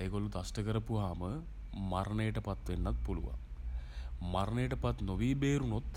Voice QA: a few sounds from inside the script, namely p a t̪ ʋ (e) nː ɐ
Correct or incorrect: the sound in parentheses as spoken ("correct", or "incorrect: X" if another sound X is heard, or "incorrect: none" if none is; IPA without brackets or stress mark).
correct